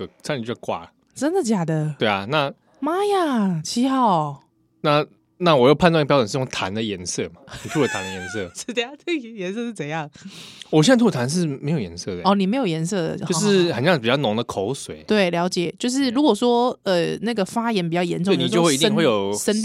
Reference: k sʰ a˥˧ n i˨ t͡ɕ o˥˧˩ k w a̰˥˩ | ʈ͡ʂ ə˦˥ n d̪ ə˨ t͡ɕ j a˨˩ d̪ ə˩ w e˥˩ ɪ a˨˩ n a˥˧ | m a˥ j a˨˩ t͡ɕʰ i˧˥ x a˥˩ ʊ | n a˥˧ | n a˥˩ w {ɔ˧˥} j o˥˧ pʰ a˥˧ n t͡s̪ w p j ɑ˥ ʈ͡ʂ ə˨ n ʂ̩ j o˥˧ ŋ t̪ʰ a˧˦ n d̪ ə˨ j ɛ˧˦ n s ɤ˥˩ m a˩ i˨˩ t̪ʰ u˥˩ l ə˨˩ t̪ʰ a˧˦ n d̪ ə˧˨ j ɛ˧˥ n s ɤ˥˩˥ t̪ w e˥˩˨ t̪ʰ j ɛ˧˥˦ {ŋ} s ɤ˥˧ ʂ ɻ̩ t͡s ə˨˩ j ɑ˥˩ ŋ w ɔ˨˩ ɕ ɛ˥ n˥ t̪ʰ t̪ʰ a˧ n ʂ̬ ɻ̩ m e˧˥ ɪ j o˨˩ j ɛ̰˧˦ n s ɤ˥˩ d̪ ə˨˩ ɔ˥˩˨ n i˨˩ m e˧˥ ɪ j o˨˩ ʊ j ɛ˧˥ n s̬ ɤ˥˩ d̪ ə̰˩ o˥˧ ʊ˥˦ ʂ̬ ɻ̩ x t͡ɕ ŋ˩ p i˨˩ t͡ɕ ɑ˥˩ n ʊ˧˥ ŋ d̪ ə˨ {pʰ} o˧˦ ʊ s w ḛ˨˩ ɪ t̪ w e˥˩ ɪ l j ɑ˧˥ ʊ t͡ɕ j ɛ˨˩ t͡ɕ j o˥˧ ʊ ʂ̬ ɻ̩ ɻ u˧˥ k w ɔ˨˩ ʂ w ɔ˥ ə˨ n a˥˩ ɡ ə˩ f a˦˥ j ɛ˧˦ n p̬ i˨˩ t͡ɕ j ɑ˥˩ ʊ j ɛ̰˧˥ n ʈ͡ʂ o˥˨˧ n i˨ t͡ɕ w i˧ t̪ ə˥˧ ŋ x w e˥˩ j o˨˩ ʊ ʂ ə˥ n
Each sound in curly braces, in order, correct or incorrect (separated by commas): incorrect, incorrect, incorrect